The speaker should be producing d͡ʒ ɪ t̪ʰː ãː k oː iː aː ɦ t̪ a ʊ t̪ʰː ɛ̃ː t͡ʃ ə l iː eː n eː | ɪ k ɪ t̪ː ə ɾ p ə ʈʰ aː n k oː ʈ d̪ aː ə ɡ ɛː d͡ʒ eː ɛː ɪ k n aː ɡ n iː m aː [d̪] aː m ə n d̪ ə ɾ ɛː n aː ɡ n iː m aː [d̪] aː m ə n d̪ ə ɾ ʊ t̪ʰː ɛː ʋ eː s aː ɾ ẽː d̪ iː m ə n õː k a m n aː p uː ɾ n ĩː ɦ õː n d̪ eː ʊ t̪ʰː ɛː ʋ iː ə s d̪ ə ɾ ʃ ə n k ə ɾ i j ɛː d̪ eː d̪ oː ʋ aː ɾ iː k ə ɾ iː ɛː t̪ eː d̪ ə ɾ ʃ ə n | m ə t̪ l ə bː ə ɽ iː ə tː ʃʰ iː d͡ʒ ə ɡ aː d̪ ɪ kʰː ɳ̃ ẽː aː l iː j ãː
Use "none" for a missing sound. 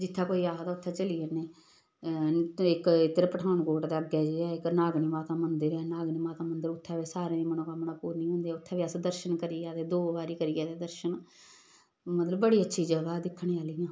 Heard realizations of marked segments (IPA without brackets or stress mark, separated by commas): t̪, t̪